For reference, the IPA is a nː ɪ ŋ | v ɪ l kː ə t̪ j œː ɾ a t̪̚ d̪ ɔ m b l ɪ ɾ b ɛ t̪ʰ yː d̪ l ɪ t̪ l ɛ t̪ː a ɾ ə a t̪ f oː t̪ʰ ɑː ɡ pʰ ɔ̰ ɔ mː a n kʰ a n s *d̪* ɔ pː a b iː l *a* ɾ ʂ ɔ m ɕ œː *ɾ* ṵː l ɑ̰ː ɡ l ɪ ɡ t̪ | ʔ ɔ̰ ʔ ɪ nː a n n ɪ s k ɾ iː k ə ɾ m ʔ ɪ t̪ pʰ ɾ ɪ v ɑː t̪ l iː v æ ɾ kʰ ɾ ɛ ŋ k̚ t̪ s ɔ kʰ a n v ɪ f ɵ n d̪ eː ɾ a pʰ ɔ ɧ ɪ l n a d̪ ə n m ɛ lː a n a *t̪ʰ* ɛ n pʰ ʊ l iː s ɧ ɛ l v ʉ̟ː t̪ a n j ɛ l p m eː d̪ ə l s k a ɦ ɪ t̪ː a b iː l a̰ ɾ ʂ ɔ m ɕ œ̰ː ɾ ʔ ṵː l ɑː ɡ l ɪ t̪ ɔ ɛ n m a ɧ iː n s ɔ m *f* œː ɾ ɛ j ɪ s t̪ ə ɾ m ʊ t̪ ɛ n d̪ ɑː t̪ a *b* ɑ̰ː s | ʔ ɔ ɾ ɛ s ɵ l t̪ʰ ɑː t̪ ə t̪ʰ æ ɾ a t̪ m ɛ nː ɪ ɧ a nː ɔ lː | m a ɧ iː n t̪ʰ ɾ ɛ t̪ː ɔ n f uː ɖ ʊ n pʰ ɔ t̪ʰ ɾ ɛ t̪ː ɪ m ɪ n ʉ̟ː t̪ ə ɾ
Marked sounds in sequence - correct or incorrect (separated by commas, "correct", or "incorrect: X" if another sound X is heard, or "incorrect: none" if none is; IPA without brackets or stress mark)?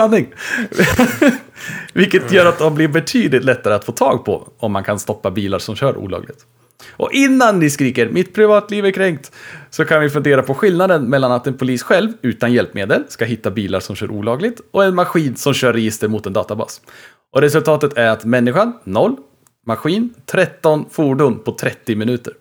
incorrect: t̪, correct, correct, incorrect: t̪, incorrect: ɕ, correct